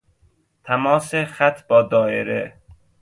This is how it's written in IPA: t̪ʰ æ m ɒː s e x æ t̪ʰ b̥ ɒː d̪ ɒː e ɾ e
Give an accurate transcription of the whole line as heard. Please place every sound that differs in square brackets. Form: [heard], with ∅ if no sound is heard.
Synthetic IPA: t̪ʰ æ m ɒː s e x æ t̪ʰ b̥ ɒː d̪ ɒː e ɾ e